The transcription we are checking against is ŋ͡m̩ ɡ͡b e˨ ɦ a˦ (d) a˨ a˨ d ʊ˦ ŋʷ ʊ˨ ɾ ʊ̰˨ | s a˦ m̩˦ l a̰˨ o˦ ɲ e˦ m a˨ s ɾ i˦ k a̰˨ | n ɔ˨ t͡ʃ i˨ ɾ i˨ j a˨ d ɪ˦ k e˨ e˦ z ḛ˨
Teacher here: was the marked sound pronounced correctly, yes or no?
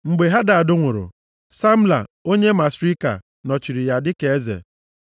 yes